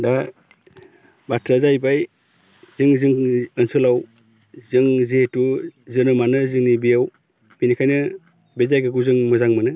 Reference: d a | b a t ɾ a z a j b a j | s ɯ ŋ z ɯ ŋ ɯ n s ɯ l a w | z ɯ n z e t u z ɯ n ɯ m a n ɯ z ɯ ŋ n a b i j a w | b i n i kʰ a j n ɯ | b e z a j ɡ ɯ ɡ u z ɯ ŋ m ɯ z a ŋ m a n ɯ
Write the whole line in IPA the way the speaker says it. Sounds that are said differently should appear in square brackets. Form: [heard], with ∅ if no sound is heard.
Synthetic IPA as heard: d a | b a t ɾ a z a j b a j | [z] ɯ ŋ z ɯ ŋ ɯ n s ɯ l a w | z ɯ [ŋ] z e t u z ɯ n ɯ m a n ɯ z ɯ ŋ n [i] b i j a w | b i n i kʰ a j n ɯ | b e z a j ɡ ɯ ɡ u z ɯ ŋ m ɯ z a ŋ m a n ɯ